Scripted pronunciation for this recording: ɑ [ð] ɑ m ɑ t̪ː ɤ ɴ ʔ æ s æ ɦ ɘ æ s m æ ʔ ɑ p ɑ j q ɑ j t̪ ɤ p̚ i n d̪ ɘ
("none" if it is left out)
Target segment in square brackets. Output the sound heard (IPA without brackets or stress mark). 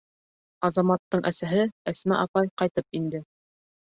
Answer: z